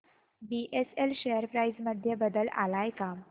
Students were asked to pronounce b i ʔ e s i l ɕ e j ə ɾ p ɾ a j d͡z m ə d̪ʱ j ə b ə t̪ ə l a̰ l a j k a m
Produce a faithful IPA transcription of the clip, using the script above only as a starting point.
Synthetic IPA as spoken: b i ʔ e s e l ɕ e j ə ɾ p ɾ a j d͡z m ə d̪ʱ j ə b ə d̪ ə l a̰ l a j k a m